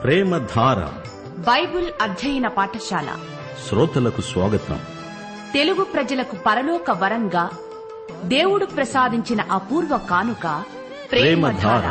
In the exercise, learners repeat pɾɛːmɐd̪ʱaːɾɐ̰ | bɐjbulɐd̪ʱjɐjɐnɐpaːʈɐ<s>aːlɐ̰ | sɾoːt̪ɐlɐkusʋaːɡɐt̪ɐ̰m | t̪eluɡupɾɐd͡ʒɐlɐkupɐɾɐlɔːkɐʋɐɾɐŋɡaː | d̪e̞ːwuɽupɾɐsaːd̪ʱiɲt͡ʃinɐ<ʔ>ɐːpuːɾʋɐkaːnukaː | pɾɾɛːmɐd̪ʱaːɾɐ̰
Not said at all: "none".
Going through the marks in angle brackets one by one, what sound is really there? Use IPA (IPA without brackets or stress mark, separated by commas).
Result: ʃ, ʔ